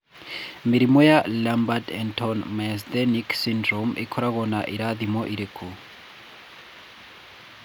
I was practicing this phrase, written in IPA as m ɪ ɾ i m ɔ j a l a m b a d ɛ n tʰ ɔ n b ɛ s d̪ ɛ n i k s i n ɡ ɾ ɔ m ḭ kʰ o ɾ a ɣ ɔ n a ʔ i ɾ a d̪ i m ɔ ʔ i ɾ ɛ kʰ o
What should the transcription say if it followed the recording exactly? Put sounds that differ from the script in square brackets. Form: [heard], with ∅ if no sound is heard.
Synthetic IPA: m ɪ ɾ i m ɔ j a l a m b a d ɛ n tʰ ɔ n [m] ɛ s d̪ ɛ n i k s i n [d] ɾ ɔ m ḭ kʰ [ɔ] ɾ a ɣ ɔ n a ʔ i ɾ a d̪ i m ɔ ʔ i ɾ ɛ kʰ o